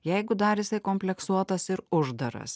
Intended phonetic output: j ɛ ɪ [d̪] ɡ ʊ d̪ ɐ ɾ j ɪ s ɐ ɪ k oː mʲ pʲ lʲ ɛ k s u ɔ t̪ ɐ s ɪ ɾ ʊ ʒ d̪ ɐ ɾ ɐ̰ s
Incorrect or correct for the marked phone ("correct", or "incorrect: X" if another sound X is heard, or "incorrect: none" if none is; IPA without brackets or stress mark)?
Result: incorrect: none